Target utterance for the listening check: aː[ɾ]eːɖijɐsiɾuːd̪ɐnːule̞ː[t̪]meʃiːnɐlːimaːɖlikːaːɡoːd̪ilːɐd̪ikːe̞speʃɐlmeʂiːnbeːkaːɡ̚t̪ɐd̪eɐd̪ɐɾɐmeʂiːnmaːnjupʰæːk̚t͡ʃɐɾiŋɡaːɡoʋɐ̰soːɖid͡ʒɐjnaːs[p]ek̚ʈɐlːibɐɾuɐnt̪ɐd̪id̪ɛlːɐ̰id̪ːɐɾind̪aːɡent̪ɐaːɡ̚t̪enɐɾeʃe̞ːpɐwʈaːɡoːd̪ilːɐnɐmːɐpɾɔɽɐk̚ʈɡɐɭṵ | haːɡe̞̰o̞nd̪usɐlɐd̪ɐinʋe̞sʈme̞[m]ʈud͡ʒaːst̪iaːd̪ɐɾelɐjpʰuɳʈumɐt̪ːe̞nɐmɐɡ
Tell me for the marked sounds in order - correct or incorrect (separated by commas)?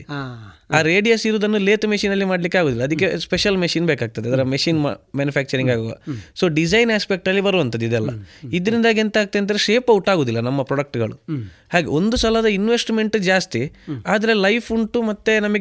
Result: correct, correct, correct, incorrect